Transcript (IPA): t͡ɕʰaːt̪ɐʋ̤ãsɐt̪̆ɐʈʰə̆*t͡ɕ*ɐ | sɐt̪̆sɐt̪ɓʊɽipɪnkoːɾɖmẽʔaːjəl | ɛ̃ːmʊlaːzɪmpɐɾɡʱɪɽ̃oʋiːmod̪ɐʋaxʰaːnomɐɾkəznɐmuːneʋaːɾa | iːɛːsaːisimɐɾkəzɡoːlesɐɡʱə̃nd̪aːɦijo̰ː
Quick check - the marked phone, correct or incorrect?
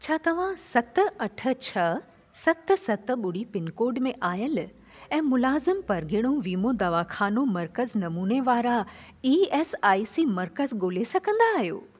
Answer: incorrect